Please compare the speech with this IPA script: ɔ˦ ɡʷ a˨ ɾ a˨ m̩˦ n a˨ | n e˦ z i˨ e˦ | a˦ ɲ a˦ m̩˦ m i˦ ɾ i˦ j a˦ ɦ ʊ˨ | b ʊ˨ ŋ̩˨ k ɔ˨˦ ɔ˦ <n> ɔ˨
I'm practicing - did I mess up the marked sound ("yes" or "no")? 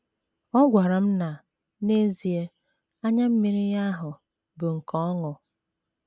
yes